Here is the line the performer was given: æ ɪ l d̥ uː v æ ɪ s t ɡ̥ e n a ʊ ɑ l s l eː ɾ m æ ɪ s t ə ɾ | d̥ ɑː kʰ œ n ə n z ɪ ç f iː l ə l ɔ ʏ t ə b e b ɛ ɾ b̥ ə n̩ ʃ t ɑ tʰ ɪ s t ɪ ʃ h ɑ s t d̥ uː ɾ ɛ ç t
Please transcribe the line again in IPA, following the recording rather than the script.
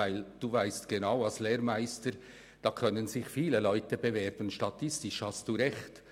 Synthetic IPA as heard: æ ɪ l d̥ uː v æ ɪ s t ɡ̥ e n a ʊ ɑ l s l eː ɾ m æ ɪ s t ə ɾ | d̥ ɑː kʰ œ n ə n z ɪ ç f iː l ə l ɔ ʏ t ə b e v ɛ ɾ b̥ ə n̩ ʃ t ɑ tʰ ɪ s t ɪ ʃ h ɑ s t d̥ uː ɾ ɛ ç t